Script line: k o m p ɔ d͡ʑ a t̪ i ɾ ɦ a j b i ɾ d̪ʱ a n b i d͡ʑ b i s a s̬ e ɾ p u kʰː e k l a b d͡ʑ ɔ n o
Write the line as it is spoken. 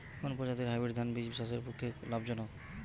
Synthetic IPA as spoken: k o n p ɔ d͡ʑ a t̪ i ɾ ɦ a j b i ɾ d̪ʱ a n b i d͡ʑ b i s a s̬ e ɾ p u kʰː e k l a b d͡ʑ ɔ n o